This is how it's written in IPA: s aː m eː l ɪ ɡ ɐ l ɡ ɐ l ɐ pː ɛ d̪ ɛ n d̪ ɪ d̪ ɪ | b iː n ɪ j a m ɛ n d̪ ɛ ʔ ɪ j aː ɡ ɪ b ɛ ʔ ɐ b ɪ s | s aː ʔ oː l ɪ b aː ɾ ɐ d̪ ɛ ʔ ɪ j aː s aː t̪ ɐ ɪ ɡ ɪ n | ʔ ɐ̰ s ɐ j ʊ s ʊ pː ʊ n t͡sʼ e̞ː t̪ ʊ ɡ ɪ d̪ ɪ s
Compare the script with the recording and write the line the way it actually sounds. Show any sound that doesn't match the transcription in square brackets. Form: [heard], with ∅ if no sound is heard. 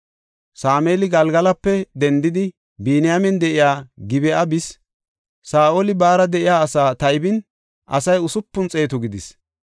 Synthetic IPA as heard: s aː m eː l ɪ ɡ ɐ l ɡ ɐ l ɐ pː ɛ d̪ ɛ n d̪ ɪ d̪ ɪ | b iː n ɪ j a m ɛ n d̪ ɛ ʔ ɪ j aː ɡ ɪ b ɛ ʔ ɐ b ɪ s | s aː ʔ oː l ɪ b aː ɾ ɐ d̪ ɛ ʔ ɪ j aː s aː t̪ ɐ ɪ [b] ɪ n | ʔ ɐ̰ s ɐ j ʊ s ʊ pː ʊ n t͡sʼ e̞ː t̪ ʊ ɡ ɪ d̪ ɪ s